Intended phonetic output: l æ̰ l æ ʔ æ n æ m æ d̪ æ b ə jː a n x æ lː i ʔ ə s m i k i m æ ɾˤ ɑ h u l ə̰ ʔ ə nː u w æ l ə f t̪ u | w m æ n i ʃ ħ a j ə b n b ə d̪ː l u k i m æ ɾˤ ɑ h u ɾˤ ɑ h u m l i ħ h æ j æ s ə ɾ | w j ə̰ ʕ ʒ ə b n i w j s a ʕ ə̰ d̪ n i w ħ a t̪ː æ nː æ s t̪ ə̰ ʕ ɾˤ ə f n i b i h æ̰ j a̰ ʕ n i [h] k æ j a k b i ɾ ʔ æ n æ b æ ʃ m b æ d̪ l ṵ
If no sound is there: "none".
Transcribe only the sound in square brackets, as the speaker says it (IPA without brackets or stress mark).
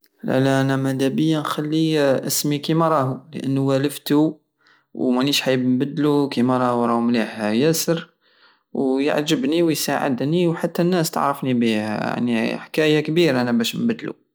ħ